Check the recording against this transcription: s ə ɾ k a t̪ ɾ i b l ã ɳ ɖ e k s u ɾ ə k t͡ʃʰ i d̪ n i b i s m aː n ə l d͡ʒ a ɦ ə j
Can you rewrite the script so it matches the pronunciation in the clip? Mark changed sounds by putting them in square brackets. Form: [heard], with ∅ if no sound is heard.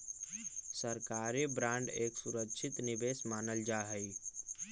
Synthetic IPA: s ə ɾ k a [∅] ɾ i b [ɾ] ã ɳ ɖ e k s u ɾ ə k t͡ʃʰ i [t̪] n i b [e] s m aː n ə l d͡ʒ a ɦ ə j